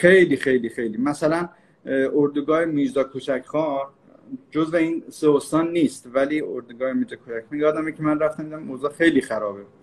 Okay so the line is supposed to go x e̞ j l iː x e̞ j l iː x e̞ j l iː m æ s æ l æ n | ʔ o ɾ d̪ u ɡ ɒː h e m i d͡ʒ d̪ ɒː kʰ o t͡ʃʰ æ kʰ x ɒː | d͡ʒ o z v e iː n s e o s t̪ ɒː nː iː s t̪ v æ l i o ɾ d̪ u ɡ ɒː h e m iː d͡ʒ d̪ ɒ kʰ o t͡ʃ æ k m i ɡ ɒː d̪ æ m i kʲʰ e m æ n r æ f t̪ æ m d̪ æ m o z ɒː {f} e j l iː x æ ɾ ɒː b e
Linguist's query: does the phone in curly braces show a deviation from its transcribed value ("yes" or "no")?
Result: yes